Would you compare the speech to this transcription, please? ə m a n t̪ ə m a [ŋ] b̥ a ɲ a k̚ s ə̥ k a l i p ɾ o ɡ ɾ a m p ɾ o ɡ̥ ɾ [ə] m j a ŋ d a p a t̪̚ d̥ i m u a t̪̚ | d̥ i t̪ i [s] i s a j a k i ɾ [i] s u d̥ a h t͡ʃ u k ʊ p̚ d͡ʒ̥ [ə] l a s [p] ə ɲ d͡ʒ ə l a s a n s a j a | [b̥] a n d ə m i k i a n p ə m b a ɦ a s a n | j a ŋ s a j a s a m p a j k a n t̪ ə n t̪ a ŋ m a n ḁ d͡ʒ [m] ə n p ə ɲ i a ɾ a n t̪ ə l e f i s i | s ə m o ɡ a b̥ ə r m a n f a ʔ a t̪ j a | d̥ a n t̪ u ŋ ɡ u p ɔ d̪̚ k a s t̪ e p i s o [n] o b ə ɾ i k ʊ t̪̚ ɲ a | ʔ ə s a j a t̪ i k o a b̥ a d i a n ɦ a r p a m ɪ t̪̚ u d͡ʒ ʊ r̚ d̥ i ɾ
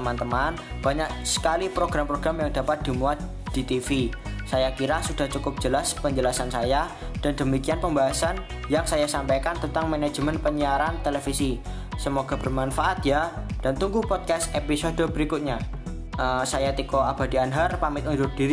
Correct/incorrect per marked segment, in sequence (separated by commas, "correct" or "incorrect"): incorrect, incorrect, incorrect, incorrect, correct, correct, incorrect, correct, incorrect